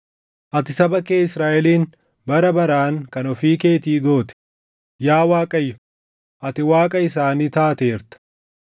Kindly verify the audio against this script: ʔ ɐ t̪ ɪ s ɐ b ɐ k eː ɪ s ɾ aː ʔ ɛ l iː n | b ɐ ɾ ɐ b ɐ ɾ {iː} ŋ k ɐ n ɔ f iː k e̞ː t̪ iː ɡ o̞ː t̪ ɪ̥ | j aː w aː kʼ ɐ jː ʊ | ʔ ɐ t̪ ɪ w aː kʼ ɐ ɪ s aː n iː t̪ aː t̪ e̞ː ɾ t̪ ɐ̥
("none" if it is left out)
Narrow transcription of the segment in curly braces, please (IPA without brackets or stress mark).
aː